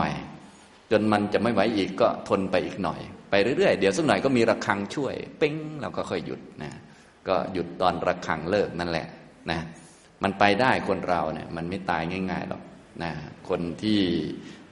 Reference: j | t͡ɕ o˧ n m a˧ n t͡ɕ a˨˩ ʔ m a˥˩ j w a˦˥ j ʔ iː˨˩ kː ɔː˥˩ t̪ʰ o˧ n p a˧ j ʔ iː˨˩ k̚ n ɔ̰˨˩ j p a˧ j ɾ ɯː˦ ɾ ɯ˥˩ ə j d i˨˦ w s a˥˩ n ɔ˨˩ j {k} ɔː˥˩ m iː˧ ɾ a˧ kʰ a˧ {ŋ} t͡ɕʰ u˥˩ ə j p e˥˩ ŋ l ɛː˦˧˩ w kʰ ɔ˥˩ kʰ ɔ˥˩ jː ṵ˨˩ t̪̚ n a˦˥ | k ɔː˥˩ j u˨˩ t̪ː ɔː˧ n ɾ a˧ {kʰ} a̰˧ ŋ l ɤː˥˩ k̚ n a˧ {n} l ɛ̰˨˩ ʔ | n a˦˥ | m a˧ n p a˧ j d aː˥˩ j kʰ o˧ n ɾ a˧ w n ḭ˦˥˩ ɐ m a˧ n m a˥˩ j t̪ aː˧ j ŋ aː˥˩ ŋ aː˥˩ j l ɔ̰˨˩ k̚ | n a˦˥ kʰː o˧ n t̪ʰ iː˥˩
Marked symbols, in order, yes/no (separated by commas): yes, yes, yes, yes